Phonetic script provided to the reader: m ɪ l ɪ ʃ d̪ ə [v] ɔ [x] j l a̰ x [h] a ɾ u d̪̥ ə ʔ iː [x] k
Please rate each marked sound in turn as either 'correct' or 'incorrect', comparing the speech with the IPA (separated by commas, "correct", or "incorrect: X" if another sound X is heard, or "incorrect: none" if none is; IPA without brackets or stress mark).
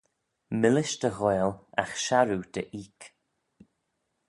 incorrect: ɣ, incorrect: none, incorrect: ʃ, incorrect: none